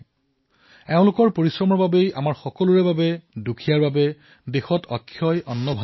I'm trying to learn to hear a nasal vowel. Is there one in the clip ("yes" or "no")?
yes